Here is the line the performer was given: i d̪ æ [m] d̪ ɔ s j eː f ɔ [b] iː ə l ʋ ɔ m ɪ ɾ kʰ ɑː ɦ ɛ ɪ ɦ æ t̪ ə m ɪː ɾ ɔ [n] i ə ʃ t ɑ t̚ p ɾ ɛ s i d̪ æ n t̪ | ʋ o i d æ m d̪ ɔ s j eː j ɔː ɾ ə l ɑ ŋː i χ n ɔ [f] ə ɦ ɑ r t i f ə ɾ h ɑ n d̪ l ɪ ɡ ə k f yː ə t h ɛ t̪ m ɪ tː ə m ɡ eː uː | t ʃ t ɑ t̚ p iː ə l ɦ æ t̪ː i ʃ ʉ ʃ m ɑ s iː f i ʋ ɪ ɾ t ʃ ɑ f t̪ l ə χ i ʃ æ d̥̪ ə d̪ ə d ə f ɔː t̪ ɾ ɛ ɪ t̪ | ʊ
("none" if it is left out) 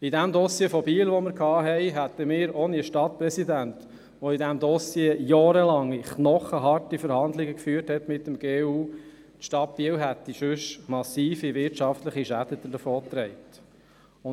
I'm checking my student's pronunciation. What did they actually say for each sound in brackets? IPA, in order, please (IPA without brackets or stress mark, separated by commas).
m, b, n, χ